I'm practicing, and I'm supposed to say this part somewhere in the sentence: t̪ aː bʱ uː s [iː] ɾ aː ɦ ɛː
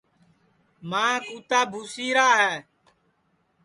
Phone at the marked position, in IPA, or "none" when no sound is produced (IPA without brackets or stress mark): iː